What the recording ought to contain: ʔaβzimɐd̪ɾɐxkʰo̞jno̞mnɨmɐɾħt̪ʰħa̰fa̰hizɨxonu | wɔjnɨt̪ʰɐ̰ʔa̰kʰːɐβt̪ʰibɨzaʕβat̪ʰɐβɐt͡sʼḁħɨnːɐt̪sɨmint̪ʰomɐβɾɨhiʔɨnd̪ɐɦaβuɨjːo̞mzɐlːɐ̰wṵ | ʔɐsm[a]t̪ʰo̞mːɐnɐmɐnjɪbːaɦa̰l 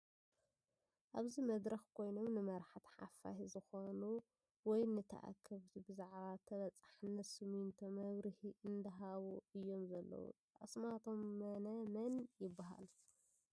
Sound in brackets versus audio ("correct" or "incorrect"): correct